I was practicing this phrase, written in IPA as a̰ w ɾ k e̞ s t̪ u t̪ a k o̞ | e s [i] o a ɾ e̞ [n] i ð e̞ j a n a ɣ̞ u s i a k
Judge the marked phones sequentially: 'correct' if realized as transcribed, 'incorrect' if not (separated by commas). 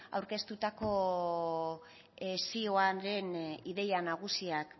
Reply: correct, correct